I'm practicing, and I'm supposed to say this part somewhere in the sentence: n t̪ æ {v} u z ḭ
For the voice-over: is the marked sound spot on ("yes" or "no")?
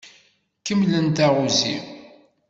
no